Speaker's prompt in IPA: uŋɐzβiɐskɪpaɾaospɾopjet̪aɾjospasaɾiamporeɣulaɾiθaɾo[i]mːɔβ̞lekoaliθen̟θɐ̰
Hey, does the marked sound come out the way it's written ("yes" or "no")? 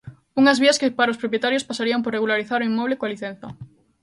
yes